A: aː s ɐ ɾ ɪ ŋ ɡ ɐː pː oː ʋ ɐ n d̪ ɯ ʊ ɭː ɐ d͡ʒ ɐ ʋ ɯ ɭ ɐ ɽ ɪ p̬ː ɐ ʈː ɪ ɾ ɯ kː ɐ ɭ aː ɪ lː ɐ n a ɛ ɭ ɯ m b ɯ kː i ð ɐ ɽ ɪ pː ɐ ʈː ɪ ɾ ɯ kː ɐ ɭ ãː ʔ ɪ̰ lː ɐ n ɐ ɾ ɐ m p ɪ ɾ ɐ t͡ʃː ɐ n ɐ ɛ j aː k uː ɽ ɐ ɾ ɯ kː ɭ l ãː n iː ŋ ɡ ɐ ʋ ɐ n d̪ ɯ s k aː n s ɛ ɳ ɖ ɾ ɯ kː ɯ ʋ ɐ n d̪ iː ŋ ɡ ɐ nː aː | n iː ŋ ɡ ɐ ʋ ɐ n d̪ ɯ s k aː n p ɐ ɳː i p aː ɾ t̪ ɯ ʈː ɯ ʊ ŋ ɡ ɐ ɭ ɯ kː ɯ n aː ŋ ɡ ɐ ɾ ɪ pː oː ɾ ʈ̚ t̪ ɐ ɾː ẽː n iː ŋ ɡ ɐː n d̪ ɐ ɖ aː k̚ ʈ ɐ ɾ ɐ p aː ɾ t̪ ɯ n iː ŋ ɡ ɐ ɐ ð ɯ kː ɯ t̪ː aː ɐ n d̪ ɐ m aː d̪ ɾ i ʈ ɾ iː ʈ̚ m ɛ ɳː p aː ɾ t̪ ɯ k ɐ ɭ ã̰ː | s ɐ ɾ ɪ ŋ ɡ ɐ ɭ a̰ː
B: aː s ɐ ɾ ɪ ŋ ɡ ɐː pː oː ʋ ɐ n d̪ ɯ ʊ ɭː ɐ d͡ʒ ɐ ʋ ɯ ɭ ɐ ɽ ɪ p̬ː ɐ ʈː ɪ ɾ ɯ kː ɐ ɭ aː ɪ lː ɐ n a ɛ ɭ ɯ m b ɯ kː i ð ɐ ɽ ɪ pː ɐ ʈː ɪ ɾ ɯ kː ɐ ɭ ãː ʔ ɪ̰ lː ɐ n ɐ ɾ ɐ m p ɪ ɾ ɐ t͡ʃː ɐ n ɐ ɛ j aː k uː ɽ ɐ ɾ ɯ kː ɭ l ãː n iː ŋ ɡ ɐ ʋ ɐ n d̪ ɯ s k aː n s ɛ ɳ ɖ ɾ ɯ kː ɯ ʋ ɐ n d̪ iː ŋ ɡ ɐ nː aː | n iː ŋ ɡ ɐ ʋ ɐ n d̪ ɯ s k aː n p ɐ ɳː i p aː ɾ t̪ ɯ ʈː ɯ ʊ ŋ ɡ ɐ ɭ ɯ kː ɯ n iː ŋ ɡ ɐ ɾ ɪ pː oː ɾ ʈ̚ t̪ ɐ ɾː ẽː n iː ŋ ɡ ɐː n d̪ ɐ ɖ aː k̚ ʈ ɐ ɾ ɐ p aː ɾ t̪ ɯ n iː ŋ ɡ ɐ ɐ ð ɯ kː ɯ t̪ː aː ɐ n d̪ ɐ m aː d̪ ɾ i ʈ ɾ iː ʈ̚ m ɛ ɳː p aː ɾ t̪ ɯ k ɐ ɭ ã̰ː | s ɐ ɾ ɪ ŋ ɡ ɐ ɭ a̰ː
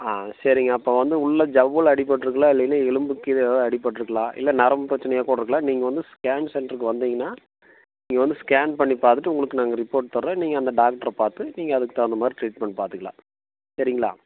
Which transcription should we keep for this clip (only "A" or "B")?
A